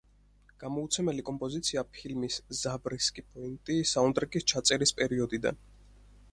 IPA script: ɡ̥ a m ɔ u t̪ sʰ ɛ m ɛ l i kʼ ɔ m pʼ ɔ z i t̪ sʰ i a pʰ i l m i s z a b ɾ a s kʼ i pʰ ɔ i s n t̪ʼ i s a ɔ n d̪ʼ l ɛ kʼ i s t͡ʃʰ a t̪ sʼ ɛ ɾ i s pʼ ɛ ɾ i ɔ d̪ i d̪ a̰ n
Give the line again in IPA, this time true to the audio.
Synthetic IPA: ɡ̥ a m ɔ u t̪ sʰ ɛ m ɛ l i kʼ ɔ m pʼ ɔ z i t̪ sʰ i a pʰ i l m i s z a b ɾ i s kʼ i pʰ ɔ i n t̪ʼ i s a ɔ n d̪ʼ ɾ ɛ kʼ i s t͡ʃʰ a t̪ sʼ ɛ ɾ i s pʼ ɛ ɾ i ɔ d̪ i d̪ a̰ n